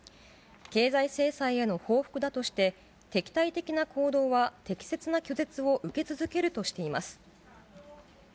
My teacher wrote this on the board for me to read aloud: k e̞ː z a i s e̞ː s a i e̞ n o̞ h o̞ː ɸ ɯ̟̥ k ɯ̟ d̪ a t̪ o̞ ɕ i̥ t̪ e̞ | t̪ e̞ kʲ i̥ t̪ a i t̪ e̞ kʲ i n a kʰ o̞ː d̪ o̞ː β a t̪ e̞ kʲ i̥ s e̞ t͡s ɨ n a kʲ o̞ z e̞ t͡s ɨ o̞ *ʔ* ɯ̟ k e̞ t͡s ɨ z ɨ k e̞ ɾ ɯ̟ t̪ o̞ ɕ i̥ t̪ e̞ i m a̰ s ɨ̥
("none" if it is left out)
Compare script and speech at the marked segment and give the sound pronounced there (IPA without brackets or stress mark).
ʔ